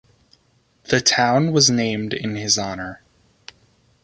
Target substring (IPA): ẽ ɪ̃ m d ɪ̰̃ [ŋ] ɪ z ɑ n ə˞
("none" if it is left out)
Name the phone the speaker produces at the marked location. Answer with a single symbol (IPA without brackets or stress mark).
n